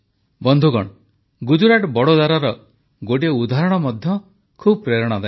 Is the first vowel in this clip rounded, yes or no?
yes